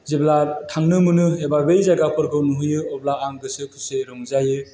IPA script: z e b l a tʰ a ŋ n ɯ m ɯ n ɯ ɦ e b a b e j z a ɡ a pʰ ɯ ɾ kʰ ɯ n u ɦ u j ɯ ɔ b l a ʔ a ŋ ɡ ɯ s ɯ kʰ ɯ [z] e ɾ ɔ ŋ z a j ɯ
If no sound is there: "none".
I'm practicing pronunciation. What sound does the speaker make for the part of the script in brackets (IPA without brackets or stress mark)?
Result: s